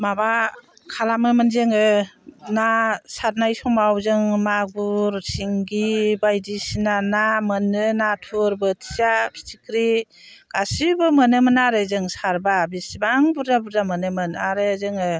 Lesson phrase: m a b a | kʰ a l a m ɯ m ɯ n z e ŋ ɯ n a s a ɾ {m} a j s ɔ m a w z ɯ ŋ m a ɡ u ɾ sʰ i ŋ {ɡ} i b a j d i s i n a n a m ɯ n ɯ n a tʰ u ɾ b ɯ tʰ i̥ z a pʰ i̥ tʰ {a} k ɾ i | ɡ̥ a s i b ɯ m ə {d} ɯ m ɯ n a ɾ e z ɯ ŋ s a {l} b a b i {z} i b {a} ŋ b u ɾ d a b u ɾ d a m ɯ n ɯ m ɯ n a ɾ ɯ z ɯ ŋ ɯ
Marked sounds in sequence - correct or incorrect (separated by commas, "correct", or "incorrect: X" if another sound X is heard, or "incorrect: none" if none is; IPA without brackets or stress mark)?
incorrect: n, correct, incorrect: i, incorrect: n, incorrect: ɾ, incorrect: s, correct